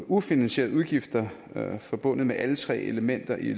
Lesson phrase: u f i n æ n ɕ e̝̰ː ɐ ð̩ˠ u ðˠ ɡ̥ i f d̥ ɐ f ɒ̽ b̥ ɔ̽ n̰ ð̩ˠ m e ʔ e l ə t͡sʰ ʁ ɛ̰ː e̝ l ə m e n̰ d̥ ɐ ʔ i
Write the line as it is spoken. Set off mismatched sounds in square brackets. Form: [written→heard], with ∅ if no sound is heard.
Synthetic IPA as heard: u f i n æ n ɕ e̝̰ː ɐ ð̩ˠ u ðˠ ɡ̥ i f d̥ ɐ f ɒ̽ b̥ ɔ̽ n̰ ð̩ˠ m e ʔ [e→æ] l ə t͡sʰ ʁ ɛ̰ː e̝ l ə m e n̰ d̥ ɐ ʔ i